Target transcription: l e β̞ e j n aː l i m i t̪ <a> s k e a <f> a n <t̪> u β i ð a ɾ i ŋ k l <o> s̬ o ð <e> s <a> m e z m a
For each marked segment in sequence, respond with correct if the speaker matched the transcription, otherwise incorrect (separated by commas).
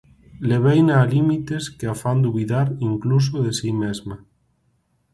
incorrect, correct, incorrect, incorrect, correct, incorrect